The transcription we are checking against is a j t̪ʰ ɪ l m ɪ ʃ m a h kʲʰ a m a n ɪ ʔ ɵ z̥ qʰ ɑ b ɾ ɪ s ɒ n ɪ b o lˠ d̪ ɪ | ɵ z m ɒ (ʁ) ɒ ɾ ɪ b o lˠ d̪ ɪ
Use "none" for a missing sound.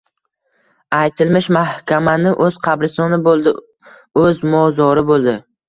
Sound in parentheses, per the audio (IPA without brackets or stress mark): z